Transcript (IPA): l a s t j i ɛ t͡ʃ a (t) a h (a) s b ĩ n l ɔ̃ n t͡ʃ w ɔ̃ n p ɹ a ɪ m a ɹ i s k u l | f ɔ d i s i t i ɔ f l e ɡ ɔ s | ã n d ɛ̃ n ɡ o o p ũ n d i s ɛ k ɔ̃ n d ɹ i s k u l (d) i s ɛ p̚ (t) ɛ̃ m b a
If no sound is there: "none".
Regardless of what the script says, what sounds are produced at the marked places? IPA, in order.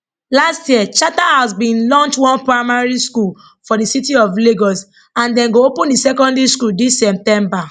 t, a, d, t

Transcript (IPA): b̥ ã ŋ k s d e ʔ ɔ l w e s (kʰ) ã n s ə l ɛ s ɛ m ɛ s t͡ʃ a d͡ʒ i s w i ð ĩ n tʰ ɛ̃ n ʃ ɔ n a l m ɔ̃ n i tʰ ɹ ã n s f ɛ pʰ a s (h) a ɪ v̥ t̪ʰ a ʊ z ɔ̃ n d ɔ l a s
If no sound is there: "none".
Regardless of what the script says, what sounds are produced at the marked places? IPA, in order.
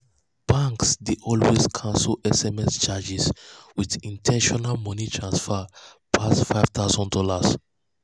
kʰ, f

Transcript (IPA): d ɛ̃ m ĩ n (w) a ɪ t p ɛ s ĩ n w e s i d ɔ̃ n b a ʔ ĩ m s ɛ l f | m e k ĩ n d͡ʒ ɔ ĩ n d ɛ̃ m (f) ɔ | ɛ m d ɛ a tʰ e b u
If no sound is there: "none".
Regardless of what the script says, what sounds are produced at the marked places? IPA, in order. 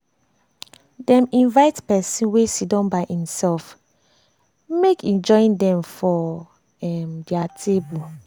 v, f

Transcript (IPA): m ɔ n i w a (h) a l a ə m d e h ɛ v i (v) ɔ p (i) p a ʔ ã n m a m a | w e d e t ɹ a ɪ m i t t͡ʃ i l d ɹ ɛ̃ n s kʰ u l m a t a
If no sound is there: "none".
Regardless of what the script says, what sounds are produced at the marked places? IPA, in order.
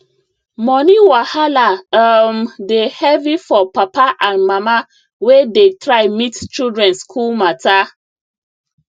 h, f, a

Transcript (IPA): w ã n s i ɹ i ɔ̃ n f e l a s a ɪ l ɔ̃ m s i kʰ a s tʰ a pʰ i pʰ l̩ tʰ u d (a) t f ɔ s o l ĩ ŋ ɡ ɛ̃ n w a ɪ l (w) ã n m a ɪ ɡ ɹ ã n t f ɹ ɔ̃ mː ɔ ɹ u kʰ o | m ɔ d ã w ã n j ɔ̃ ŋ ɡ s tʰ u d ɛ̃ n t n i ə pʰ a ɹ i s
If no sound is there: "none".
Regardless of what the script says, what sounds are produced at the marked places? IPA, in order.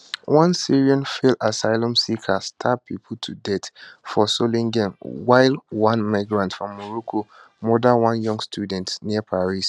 ɛ, w

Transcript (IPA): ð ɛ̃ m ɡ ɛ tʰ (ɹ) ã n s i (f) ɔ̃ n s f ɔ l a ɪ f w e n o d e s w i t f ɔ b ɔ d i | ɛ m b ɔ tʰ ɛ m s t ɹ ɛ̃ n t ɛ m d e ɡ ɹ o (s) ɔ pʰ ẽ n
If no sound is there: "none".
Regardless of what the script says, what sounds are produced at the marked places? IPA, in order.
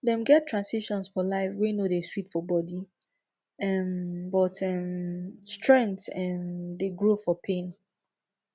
ɹ, ʃ, f

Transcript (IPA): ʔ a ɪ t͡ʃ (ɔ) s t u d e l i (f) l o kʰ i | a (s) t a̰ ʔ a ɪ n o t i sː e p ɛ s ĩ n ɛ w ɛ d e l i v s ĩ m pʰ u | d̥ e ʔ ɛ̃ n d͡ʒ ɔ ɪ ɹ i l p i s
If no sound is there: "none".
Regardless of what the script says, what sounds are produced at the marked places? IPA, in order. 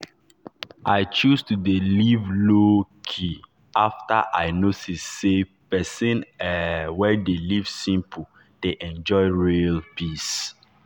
u, v, f

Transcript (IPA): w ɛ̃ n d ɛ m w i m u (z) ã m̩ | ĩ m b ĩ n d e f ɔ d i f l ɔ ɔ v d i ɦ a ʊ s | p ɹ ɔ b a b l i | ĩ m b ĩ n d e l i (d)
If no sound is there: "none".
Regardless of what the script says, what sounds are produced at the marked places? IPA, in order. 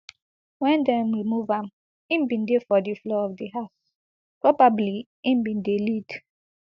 v, d

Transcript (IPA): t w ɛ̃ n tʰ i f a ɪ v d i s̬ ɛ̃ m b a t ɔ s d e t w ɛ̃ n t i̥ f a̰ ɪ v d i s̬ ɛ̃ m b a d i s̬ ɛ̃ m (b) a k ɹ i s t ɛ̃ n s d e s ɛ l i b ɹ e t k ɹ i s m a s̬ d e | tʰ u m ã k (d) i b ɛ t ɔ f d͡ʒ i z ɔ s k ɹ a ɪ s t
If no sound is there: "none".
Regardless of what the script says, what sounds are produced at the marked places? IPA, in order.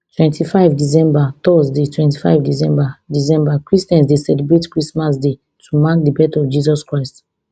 b, d

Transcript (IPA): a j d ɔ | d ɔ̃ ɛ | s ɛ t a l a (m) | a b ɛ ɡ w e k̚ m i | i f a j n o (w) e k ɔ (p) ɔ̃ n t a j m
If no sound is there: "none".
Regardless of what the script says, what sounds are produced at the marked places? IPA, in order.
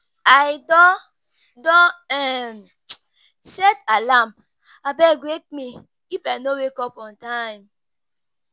m, w, p

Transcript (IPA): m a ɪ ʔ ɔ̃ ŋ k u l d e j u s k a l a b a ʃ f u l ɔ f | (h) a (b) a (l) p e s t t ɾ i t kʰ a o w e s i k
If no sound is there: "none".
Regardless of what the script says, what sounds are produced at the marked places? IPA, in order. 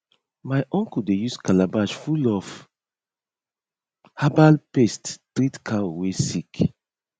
h, b, l

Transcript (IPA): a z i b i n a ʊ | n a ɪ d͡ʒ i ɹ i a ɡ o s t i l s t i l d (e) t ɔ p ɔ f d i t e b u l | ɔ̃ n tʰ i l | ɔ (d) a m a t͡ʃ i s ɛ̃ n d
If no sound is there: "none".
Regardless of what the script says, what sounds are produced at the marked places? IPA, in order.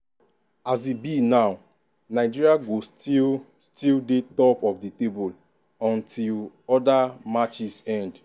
e, d

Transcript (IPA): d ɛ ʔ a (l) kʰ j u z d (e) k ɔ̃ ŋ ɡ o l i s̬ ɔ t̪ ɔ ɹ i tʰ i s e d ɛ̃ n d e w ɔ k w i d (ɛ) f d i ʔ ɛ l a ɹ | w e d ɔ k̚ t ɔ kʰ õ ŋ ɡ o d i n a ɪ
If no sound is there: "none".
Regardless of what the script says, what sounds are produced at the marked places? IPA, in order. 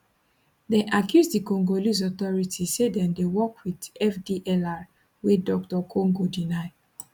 none, i, ɛ

